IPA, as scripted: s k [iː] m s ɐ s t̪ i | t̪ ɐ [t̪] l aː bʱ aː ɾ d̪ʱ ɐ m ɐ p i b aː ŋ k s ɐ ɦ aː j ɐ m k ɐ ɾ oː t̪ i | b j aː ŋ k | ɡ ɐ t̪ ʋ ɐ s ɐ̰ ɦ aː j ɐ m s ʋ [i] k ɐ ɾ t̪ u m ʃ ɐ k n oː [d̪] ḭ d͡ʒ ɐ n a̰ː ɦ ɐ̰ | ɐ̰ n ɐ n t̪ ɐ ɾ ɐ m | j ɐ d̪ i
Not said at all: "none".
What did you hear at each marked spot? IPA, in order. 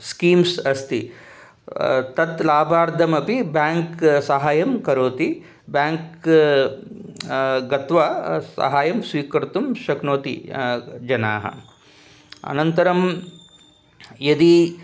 iː, t̪, iː, t̪

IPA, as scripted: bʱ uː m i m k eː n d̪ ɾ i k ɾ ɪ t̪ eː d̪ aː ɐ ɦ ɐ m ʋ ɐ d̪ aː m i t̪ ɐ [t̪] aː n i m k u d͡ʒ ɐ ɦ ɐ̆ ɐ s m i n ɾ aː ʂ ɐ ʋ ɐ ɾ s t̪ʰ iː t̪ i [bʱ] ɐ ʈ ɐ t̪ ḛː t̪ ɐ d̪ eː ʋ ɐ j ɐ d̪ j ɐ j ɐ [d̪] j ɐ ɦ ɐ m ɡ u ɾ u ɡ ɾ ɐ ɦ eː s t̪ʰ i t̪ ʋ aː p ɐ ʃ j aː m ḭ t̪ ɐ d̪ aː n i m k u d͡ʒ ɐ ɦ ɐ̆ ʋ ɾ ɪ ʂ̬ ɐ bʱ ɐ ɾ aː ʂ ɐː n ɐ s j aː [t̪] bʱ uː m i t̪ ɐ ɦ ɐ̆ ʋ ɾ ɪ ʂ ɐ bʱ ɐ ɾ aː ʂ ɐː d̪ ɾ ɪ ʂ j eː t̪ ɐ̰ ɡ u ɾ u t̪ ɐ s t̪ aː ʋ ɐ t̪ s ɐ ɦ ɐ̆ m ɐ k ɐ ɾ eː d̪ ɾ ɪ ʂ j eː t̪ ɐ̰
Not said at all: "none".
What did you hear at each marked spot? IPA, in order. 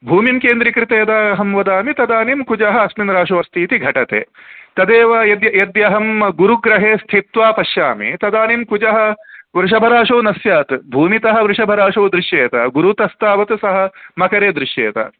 d̪, ɡʱ, d̪, t̪

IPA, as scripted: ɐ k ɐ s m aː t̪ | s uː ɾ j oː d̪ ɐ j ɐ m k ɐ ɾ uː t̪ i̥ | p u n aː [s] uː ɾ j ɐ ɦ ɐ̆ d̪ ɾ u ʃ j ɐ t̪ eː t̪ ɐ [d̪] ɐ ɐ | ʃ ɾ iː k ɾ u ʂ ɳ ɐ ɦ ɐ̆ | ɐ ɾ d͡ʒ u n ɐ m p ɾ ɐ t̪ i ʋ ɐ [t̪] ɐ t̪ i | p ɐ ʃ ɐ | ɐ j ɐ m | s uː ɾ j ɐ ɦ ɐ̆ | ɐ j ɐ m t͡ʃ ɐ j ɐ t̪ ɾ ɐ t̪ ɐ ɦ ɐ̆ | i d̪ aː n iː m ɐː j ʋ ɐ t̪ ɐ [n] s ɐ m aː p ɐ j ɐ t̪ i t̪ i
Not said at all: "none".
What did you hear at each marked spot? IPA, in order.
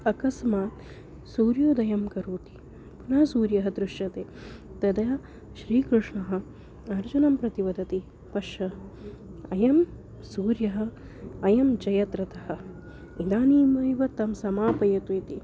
s, d̪, d̪, m

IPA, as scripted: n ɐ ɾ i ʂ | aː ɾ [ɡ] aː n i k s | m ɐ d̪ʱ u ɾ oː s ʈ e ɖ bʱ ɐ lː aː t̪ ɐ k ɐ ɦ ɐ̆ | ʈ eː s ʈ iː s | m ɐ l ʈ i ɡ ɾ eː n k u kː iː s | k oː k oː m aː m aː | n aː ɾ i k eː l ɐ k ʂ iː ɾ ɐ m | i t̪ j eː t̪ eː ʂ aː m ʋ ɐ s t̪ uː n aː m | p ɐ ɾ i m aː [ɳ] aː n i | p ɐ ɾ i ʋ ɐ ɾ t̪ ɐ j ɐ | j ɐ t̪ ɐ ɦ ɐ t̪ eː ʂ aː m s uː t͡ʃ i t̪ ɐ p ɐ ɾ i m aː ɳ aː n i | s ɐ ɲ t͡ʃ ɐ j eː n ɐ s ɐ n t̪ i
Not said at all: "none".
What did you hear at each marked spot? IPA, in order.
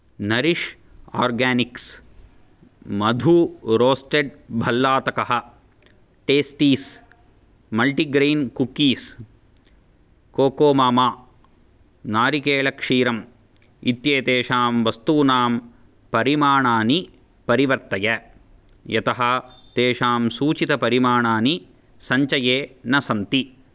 ɡ, ɳ

